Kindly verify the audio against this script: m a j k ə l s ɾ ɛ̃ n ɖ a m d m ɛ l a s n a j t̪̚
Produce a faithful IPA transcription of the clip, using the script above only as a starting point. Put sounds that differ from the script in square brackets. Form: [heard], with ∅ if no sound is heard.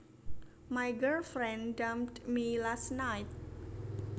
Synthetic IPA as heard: m a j [ɡ] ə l [f] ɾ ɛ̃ n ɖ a m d m [i] l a s n a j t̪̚

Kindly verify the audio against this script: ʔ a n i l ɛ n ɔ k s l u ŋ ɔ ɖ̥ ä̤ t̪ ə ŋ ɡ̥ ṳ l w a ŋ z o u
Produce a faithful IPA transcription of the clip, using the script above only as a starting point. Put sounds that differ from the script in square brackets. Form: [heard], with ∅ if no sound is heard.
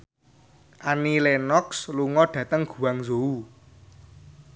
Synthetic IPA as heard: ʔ a n i l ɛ n ɔ k s l u ŋ ɔ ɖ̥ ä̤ t̪ ə ŋ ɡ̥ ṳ [∅] w a ŋ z o u

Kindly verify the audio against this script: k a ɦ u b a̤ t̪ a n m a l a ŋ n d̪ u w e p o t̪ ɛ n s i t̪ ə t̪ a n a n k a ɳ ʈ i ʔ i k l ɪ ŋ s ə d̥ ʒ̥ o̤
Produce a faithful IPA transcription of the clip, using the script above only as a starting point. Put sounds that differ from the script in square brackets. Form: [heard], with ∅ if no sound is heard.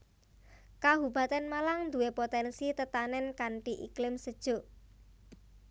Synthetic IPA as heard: k a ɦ u b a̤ t̪ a n m a l a ŋ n d̪ u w e p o t̪ ɛ n s i t̪ ə t̪ a n [ɛ] n k a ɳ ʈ i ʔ i k l ɪ [m] s ə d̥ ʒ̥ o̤

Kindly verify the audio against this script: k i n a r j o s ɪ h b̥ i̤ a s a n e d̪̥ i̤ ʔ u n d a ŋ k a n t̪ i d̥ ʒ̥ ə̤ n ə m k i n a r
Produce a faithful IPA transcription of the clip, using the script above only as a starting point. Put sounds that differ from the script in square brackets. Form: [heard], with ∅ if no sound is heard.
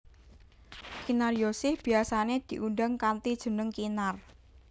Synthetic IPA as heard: k i n a r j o s ɪ h b̥ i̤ a s a n e d̪̥ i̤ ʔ u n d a ŋ k a n t̪ i d̥ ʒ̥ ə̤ n ə [ŋ] k i n a r

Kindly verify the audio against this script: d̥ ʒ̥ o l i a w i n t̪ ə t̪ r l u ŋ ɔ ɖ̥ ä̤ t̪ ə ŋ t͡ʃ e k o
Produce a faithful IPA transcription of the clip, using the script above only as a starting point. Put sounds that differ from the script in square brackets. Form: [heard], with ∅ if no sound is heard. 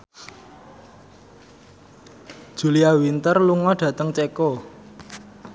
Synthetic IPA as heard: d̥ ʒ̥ [u] l i a w i n t̪ ə [∅] r l u ŋ ɔ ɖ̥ ä̤ t̪ ə ŋ t͡ʃ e k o

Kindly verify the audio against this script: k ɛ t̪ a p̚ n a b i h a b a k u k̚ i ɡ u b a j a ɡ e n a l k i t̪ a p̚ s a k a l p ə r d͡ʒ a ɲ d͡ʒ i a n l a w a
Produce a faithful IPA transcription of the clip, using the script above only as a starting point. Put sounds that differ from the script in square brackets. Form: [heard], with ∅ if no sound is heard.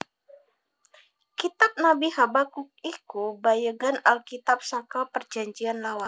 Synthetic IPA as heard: k [i] t̪ a p̚ n a b i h a b a k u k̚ i [k] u b a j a ɡ [a] n a l k i t̪ a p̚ s a k a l p ə r d͡ʒ a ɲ d͡ʒ i a n l a w a

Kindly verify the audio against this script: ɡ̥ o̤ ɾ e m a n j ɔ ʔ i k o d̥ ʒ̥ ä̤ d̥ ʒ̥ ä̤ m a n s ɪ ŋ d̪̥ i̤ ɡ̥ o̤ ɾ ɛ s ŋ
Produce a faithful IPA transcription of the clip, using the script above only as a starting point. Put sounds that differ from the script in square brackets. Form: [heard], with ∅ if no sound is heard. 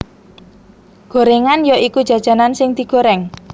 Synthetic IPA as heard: ɡ̥ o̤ ɾ e [ŋ] a n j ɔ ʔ i k [u] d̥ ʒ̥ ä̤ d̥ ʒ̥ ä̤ [n] a n s ɪ ŋ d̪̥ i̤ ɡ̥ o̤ ɾ ɛ [∅] ŋ

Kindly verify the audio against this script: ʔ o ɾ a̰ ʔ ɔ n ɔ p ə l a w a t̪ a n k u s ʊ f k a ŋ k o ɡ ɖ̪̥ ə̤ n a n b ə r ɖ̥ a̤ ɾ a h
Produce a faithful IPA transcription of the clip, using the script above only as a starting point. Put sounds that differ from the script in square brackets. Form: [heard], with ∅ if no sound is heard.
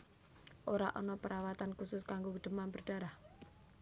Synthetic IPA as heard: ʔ o ɾ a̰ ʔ ɔ n ɔ p ə [ɾ] a w a t̪ a n k u s ʊ [s] k a ŋ [ɡ] o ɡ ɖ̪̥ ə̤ [m] a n b ə r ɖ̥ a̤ ɾ a h

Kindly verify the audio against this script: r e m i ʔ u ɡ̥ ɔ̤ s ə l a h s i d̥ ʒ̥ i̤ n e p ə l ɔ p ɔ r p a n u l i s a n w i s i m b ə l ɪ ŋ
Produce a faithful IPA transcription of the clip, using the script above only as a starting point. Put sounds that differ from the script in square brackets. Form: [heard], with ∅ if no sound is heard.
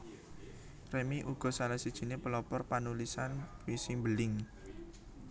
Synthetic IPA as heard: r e m i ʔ u ɡ̥ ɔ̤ s [a] l a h s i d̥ ʒ̥ i̤ n e p ə l ɔ p ɔ r p a n u l i s a n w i s i m b ə l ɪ ŋ

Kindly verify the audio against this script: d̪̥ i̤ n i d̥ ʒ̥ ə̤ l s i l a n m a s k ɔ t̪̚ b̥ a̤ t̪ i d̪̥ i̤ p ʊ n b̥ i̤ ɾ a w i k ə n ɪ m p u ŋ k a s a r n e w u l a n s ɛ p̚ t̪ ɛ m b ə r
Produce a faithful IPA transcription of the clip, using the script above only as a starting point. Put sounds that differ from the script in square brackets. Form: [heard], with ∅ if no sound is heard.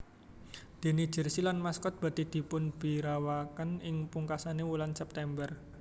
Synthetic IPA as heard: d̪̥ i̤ n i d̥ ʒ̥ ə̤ [r] s i l a n m a s k ɔ t̪̚ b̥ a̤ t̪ i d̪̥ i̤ p ʊ n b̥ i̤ ɾ a w [a] k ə n ɪ [ŋ] p u ŋ k a s a [∅] n e w u l a n s ɛ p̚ t̪ ɛ m b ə r

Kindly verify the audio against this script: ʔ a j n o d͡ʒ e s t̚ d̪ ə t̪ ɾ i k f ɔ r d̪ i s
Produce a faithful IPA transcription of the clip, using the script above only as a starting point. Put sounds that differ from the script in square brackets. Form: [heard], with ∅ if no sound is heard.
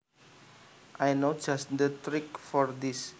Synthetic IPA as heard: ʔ a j n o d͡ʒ [a] s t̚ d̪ ə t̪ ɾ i k f ɔ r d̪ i s

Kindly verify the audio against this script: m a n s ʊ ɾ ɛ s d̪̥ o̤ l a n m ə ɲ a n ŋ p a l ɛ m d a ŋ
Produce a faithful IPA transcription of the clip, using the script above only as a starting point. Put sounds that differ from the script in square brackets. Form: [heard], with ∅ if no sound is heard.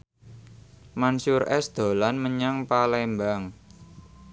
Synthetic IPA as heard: m a n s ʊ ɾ ɛ s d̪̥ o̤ l a n m ə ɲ a [∅] ŋ p a l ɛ m [b] a ŋ

